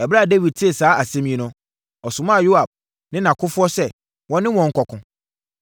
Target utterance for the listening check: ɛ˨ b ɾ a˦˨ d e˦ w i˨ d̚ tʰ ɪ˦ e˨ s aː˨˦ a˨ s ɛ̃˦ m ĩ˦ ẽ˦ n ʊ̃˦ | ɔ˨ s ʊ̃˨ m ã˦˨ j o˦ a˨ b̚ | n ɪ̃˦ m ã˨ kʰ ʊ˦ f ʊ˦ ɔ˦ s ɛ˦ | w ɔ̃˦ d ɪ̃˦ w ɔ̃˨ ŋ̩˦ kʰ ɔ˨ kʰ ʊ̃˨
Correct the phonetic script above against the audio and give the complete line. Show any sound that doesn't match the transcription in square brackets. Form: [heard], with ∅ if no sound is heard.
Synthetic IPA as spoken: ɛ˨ b ɾ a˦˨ d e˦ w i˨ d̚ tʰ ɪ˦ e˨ s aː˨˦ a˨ s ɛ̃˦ m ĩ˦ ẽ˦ n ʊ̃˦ | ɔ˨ s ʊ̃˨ m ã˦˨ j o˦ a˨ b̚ | n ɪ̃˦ [n] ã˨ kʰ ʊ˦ f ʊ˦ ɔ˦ s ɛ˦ | w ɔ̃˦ [n] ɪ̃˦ w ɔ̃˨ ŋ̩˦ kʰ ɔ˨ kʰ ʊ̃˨